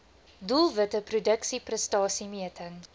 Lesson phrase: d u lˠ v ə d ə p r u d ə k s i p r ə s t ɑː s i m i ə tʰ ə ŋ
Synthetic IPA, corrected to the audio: d u lˠ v ə t ə p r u d ə k s i p r ə s t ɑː s i m i ə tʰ ə ŋ